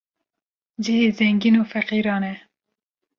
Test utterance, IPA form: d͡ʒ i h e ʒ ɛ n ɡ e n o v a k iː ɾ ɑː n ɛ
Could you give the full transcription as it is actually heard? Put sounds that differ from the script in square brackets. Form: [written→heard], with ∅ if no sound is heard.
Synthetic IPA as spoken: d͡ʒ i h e [ʒ→z] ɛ [n→ŋ] ɡ [e→i] n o [v→f] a [k→q] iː ɾ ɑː n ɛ